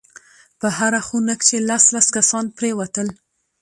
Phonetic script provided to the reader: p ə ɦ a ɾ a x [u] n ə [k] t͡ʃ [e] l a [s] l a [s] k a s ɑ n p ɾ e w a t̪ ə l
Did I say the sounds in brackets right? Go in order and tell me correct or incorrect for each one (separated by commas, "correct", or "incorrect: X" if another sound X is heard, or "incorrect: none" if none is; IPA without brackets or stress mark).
correct, correct, correct, correct, correct